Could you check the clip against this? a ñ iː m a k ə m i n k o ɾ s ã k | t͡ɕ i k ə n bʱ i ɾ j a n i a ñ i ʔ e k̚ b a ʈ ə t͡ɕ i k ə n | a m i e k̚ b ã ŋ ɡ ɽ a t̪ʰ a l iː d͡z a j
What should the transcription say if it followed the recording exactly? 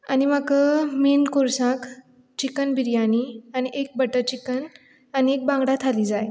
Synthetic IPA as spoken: a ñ i m a k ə m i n k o ɾ s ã k | t͡ɕ i k ə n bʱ i ɾ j a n i a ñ i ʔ e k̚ b ə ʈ ə t͡ɕ i k ə n | a n i e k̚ b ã ŋ ɡ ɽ a t̪ʰ a l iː d͡z a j